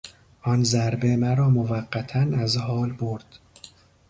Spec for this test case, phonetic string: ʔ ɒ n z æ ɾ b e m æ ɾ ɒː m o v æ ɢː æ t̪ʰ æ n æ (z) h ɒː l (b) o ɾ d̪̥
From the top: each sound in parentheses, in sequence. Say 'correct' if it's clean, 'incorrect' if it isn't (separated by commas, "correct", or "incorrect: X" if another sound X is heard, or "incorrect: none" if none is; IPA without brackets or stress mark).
correct, correct